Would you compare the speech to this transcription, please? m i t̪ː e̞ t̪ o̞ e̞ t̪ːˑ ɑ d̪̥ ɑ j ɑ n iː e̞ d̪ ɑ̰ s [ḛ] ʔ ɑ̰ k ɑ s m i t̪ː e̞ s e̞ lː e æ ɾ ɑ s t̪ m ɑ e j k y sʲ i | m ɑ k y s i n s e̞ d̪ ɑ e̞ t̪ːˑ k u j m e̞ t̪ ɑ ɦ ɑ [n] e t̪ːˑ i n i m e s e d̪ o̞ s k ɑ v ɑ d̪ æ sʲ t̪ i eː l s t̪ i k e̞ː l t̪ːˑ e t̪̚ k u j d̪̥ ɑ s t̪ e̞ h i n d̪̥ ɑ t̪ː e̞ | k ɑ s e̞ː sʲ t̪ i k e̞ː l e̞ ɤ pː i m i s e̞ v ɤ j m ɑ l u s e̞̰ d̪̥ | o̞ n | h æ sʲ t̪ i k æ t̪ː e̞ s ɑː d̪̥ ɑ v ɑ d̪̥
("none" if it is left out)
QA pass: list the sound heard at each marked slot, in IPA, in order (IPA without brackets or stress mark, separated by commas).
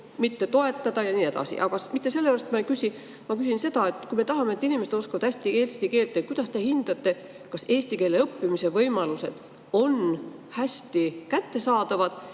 ḭ, m